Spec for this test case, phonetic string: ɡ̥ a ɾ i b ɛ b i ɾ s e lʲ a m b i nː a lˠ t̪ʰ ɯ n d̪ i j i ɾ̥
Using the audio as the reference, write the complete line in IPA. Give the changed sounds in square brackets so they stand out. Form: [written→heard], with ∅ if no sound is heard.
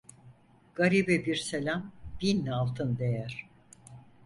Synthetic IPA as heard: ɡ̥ a ɾ i b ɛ b i ɾ s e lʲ a m b i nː a lˠ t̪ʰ ɯ n d̪ [i→e] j [i→æ] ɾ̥